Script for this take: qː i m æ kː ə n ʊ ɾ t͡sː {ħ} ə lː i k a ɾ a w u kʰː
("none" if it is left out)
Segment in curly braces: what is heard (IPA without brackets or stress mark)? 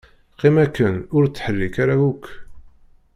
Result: ħ